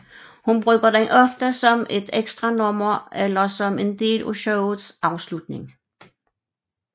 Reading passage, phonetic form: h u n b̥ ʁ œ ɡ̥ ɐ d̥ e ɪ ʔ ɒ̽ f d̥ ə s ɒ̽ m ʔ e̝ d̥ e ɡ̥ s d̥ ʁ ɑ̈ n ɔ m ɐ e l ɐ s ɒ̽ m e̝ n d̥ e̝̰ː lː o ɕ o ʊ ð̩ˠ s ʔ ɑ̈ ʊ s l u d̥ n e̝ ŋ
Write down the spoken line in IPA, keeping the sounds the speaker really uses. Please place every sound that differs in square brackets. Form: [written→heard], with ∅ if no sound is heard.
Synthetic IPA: h u n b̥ ʁ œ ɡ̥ ɐ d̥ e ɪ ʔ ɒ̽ f d̥ ə s ɒ̽ m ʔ e̝ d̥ e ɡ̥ s d̥ ʁ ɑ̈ n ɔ m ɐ e l ɐ s ɒ̽ m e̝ n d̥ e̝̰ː [lː→l] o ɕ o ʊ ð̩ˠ s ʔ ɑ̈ ʊ s l u d̥ n e̝ ŋ